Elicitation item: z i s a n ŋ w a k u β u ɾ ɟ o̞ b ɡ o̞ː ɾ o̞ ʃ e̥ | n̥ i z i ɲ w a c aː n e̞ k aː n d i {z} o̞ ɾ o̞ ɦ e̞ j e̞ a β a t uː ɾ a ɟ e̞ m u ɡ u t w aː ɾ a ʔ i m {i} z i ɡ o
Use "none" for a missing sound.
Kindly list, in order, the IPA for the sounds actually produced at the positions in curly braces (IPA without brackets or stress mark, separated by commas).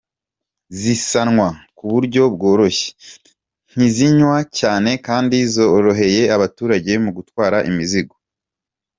z, i